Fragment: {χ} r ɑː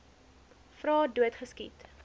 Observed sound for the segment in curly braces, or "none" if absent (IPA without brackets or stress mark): f